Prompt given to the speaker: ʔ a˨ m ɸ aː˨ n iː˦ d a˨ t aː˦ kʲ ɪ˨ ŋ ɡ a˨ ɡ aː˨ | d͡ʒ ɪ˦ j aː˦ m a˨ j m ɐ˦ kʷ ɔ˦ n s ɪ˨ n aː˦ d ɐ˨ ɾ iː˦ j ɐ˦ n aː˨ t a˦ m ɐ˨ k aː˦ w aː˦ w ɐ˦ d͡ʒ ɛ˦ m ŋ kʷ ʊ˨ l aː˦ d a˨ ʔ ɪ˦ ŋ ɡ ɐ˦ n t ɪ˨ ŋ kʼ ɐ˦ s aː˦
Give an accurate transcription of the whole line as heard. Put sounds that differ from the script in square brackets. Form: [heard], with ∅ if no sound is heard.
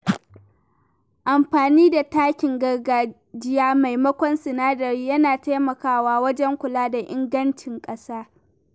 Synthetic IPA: ʔ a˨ m ɸ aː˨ n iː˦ d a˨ t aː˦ kʲ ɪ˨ ŋ ɡ [ɐ˨] ɡ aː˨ | d͡ʒ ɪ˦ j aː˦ m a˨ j m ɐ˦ kʷ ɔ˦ n s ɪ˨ n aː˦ d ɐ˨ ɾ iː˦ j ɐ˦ n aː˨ t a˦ m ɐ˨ k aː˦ w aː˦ w ɐ˦ d͡ʒ ɛ˦ [∅] ŋ kʷ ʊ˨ l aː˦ d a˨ ʔ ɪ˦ ŋ ɡ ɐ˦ n [t͡ʃ] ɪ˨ ŋ kʼ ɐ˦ s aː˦